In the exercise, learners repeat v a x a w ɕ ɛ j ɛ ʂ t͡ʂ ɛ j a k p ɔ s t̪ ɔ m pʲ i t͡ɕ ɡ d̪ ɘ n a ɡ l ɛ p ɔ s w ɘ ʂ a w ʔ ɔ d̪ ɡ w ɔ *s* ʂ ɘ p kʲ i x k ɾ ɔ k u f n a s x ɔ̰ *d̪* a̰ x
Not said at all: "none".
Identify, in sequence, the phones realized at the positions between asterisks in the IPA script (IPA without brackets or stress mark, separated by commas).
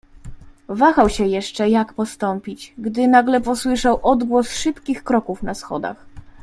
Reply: s, d̪